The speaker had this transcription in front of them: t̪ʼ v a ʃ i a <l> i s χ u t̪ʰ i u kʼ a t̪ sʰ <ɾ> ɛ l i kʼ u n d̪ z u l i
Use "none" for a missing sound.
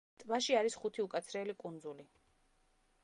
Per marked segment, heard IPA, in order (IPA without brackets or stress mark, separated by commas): ɾ, ɾ